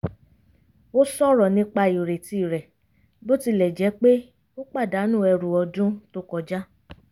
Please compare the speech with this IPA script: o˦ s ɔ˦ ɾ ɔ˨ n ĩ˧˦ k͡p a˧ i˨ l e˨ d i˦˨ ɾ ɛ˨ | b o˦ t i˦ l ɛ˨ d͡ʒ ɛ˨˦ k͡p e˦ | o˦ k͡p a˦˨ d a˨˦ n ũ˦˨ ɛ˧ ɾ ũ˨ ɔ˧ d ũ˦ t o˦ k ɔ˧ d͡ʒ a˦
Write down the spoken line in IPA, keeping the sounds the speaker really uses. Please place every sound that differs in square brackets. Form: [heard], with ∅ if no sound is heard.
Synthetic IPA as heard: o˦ s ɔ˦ ɾ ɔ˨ n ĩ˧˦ k͡p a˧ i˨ [ɾ] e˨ [t] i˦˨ ɾ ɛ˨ | b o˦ t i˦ l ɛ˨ d͡ʒ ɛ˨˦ k͡p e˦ | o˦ k͡p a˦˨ d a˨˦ n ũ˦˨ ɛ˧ ɾ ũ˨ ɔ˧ d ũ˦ t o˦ k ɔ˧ d͡ʒ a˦